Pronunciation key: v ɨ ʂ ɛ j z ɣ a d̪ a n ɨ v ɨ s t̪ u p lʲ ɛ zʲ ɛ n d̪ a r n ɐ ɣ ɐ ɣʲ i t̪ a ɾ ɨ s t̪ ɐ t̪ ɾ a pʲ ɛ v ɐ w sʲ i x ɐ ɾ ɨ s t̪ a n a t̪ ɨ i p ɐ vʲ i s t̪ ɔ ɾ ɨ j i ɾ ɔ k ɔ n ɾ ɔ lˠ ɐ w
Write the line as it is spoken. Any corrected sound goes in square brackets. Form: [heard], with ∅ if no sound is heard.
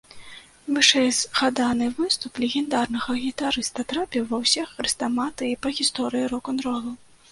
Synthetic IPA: v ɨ ʂ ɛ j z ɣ a d̪ a n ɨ v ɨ s t̪ u p lʲ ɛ [ɣʲ] ɛ n d̪ a r n ɐ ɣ ɐ ɣʲ i t̪ a ɾ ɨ s t̪ ɐ t̪ ɾ a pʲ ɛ v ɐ w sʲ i x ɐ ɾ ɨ s t̪ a [m] a t̪ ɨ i p ɐ [ɣʲ] i s t̪ ɔ ɾ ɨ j i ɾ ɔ k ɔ n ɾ ɔ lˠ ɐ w